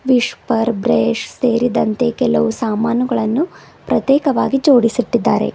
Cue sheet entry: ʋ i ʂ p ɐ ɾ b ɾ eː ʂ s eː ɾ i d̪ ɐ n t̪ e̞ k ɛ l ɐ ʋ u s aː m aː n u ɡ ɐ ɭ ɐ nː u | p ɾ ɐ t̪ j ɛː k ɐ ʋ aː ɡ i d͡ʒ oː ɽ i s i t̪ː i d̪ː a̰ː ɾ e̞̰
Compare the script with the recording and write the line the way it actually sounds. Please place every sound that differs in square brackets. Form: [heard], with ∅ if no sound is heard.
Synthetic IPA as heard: ʋ i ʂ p ɐ ɾ b ɾ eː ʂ s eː ɾ i d̪ ɐ n t̪ e̞ k ɛ l ɐ ʋ u s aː m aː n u ɡ ɐ ɭ ɐ nː u | p ɾ ɐ t̪ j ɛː k ɐ ʋ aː ɡ i d͡ʒ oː ɽ i s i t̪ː i d̪ː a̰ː ɾ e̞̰